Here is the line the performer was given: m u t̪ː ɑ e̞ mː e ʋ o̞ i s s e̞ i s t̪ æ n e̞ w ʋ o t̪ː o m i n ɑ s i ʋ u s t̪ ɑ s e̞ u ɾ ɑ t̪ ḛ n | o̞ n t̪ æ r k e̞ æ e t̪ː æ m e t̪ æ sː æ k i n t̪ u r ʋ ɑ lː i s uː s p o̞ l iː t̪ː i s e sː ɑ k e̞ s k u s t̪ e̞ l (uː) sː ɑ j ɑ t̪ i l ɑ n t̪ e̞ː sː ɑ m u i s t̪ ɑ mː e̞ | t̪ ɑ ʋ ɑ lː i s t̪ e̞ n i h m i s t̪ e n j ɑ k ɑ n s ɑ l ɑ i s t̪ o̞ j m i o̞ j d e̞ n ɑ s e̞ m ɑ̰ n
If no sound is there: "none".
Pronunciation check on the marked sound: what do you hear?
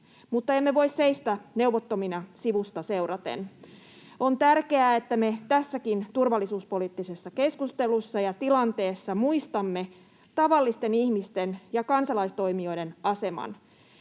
u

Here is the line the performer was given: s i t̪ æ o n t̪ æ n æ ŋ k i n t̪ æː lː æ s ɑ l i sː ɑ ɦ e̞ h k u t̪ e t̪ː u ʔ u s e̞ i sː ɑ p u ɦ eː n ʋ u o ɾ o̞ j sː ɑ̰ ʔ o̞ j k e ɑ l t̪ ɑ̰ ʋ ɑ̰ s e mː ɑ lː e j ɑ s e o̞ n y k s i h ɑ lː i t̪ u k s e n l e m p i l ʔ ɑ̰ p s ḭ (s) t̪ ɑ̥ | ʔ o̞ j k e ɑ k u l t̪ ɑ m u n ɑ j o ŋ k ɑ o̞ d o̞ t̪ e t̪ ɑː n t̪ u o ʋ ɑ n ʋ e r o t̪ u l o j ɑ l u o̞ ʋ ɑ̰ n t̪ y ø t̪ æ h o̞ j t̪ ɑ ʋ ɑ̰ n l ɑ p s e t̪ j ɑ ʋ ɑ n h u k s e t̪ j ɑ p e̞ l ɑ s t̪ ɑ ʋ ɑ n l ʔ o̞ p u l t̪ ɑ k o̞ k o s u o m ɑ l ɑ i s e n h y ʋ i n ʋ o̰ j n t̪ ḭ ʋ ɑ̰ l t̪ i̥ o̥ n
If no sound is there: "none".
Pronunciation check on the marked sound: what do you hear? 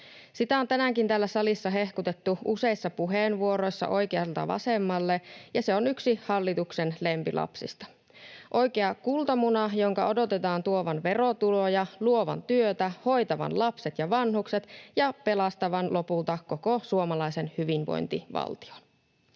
s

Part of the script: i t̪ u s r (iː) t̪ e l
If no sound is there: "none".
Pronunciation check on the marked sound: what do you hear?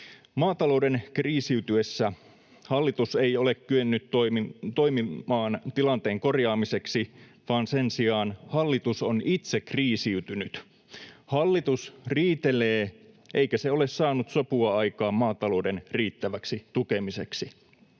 iː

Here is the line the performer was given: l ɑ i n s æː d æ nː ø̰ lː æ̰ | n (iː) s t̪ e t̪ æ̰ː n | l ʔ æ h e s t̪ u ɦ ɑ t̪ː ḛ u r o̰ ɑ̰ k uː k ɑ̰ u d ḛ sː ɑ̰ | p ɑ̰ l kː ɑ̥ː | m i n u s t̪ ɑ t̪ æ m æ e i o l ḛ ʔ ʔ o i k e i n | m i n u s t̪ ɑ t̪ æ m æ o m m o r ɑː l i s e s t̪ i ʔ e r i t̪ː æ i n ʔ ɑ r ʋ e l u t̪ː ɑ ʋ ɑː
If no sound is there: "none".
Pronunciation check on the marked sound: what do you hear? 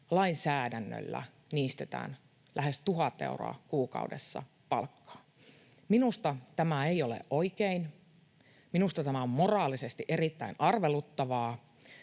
iː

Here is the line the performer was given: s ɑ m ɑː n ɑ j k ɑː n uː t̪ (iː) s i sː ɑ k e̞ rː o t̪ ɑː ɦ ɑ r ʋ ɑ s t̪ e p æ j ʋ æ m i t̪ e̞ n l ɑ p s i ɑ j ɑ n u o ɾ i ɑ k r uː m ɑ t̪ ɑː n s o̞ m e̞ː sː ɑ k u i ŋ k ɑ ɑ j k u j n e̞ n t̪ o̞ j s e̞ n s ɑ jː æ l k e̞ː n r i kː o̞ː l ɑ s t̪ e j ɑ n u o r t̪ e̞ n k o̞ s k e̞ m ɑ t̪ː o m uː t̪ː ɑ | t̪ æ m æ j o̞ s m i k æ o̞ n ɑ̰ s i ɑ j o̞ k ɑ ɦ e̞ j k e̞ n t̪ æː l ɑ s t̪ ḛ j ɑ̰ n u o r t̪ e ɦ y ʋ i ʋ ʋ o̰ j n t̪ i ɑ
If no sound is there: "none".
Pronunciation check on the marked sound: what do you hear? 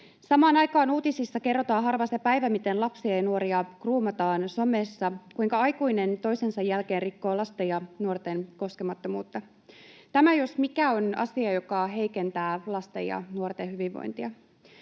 i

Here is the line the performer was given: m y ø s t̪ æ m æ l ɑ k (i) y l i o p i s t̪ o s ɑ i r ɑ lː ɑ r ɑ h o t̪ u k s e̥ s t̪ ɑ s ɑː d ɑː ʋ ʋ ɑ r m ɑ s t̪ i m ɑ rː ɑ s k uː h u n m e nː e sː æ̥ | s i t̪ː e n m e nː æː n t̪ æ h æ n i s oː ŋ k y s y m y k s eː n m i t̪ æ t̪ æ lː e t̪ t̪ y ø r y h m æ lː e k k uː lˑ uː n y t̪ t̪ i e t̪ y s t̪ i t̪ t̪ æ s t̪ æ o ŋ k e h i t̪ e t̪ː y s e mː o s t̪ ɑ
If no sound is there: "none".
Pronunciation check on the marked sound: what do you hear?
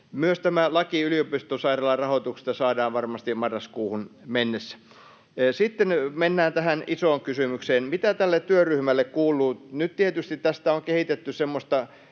i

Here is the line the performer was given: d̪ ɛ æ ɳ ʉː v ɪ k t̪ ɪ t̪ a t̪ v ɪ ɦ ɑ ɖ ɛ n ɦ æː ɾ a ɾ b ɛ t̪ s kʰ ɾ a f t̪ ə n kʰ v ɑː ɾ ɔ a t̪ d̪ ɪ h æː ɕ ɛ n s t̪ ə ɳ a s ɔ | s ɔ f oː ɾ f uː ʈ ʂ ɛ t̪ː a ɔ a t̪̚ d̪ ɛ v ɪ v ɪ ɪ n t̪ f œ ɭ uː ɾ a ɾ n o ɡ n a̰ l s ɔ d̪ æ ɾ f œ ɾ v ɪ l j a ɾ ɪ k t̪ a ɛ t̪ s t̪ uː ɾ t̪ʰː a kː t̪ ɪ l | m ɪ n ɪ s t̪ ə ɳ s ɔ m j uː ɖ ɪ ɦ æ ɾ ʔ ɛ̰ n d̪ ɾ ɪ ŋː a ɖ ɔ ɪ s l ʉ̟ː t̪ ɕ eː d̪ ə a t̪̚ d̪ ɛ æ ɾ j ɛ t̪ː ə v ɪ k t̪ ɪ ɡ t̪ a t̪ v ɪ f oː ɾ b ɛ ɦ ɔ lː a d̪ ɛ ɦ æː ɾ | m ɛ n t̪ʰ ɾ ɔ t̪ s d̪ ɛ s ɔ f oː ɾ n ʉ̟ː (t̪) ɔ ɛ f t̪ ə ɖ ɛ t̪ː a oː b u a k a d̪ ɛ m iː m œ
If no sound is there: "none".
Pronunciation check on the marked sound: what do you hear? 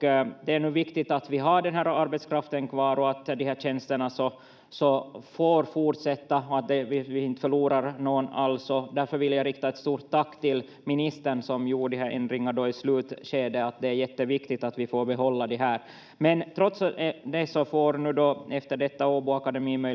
d̪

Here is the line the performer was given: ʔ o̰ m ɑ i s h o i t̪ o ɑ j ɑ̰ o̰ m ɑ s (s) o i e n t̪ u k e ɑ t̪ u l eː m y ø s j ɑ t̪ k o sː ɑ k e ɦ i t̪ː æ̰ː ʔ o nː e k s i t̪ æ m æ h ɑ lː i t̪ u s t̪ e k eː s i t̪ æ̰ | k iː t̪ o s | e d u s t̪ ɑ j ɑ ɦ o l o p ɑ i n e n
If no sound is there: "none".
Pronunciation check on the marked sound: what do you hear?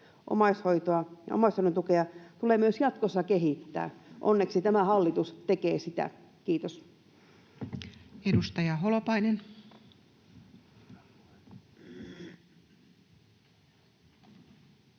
h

